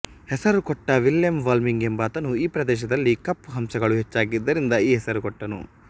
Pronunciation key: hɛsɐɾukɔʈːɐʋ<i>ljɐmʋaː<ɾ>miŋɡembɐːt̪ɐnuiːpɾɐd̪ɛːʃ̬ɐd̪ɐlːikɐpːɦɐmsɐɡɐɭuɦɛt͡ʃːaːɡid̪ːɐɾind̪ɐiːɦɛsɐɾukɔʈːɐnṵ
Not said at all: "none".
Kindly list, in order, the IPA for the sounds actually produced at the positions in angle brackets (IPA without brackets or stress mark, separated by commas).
i, l